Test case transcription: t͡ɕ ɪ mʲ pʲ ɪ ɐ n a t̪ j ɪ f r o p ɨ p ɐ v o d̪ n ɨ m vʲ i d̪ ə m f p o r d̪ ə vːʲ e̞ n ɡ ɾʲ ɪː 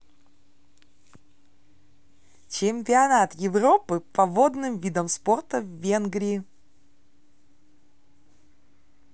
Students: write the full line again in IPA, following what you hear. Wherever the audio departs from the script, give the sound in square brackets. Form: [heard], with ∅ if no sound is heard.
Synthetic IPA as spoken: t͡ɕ ɪ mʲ pʲ ɪ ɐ n a t̪ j ɪ [v] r o p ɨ p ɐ v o d̪ n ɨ m vʲ i d̪ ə m [s] p o r [t̪] ə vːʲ e̞ n ɡ ɾʲ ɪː